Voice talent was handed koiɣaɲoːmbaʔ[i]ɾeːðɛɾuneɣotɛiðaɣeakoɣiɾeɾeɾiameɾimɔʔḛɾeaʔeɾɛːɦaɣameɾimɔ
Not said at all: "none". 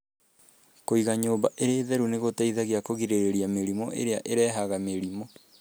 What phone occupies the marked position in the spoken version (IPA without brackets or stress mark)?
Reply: e